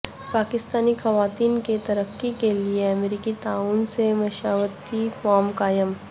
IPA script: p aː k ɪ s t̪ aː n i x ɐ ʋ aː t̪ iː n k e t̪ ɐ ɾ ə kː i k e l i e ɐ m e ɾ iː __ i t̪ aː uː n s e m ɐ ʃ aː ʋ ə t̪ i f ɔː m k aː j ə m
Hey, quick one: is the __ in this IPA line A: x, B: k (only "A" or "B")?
B